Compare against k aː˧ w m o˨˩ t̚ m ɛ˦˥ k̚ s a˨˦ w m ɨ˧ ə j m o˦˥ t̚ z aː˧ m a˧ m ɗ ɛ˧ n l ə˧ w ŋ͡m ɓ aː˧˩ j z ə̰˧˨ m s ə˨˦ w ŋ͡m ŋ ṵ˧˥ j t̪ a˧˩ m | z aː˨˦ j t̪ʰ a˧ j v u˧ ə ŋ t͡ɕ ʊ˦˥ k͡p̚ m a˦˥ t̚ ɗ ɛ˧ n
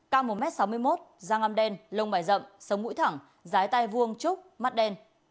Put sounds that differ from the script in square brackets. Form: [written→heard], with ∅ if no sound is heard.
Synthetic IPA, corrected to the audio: k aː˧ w m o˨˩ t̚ m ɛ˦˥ [k̚→t̚] s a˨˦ w m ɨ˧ ə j m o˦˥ t̚ z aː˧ [m→ŋ] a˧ m ɗ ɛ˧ n l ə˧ w ŋ͡m ɓ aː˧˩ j z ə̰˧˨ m s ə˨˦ w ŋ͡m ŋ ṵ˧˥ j [t̪→t̪ʰ] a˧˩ [m→ŋ] | z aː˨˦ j [t̪ʰ→t̪] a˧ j v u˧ ə ŋ t͡ɕ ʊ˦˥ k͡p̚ m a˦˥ t̚ ɗ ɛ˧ n